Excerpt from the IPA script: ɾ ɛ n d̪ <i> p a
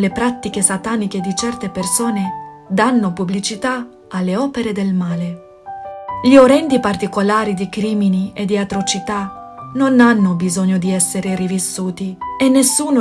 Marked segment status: correct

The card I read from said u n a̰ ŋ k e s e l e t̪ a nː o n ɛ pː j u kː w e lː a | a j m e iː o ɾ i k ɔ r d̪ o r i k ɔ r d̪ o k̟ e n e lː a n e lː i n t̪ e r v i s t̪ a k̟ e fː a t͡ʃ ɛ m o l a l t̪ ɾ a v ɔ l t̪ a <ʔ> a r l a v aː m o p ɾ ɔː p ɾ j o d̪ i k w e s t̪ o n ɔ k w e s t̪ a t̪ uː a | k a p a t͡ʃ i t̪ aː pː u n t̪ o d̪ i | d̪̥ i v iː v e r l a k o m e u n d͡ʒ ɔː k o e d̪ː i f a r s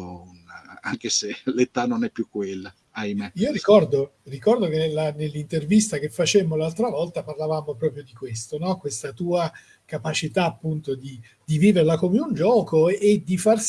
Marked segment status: incorrect: p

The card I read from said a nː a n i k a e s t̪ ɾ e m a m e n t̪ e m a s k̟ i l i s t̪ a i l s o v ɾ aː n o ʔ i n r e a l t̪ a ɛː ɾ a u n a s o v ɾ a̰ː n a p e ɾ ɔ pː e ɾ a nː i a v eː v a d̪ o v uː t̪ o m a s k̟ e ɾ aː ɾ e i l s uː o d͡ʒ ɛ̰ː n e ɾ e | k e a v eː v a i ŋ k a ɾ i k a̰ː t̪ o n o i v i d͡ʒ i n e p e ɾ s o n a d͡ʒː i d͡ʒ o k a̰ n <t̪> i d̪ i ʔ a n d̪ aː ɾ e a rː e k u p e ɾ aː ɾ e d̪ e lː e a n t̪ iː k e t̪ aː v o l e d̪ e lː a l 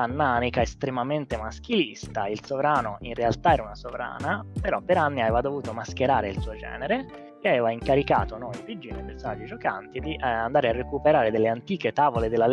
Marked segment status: correct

